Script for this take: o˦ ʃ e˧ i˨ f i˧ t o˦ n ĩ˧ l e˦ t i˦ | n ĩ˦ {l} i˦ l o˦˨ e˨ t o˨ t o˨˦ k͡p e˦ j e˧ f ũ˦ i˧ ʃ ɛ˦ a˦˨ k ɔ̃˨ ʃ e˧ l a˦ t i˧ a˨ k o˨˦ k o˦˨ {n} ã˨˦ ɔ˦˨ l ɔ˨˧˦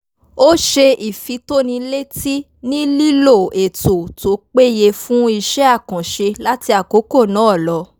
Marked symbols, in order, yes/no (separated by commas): yes, yes